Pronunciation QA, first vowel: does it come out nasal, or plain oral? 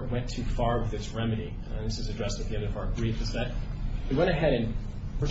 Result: nasal